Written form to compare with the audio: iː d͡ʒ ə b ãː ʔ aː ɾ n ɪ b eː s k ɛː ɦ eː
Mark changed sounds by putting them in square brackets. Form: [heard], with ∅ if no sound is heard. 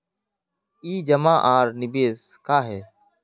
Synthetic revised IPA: iː d͡ʒ ə [m] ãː ʔ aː ɾ n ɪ b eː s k [aː] ɦ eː